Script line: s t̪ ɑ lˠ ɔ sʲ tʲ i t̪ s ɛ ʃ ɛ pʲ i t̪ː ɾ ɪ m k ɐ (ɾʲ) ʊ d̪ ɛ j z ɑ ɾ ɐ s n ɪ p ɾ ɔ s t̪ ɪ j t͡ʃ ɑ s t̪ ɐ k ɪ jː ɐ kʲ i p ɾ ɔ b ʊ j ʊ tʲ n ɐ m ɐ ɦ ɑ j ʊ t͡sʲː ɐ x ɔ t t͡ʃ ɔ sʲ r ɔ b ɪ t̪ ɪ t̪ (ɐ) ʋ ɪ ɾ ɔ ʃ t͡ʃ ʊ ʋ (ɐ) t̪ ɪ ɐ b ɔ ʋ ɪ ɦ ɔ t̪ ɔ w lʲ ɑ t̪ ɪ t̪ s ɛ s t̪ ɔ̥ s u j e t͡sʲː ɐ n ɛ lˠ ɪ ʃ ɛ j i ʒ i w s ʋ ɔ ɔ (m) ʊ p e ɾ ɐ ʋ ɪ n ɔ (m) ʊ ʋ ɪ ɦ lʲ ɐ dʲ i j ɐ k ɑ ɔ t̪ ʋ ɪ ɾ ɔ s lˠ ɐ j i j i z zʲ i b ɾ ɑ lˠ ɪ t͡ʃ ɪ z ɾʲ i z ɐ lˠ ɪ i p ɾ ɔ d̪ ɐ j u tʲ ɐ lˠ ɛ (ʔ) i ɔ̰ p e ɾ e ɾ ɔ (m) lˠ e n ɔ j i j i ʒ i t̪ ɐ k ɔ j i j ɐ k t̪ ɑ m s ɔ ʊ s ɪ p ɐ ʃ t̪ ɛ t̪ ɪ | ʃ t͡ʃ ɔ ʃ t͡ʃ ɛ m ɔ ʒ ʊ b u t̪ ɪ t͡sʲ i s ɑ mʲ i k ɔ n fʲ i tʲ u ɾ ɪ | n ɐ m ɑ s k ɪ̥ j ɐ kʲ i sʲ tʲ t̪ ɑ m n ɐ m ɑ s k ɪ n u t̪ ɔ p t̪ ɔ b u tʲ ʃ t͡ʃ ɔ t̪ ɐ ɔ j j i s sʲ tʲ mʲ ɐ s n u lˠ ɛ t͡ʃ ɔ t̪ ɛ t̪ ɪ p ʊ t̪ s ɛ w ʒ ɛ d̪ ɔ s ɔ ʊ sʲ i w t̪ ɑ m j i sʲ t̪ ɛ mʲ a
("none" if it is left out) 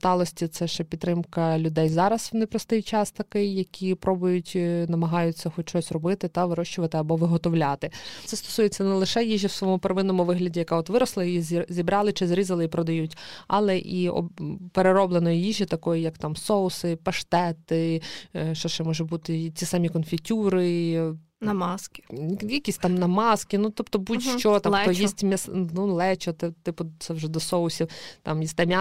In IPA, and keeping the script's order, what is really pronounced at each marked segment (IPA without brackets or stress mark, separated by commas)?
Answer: lʲ, ɐ, ɐ, m, m, ʔ, b